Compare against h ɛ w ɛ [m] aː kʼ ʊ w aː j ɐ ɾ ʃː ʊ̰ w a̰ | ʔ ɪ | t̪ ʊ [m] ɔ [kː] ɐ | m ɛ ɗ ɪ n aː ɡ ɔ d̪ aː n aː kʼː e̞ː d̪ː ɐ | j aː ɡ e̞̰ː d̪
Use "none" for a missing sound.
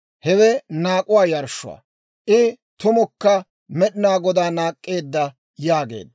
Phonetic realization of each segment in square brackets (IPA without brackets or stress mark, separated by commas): n, m, kː